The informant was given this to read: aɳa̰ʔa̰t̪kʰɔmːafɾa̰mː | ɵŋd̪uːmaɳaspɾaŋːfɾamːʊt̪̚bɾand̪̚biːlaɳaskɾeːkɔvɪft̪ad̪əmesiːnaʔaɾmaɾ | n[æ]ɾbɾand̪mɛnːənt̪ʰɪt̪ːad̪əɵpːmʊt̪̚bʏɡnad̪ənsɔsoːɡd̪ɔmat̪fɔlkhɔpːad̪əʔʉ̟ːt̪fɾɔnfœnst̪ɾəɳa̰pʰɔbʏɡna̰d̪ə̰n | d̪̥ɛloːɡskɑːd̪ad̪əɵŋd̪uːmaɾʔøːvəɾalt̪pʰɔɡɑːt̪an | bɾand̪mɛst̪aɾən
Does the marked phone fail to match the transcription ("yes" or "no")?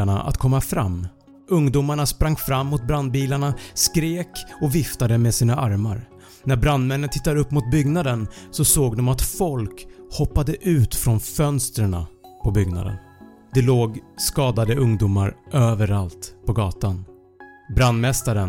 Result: no